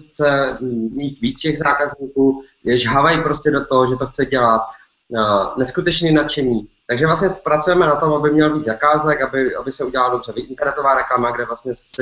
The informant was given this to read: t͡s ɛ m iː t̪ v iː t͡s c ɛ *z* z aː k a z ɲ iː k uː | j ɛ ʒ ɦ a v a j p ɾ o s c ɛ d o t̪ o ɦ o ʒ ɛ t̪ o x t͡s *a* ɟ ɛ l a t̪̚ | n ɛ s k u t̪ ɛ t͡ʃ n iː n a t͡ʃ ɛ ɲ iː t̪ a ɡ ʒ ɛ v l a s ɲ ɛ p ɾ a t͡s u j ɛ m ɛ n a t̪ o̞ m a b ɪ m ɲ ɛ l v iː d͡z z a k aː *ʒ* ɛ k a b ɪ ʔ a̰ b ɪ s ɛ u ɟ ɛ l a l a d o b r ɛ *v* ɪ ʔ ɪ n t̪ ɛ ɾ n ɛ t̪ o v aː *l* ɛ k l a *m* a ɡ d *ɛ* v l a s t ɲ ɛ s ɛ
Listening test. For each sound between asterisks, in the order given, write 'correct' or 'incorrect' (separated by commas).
incorrect, incorrect, incorrect, correct, incorrect, correct, correct